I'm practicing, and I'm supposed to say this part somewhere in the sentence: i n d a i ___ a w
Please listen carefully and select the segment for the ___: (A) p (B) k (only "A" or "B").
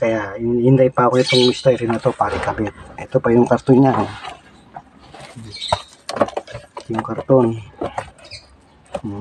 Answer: A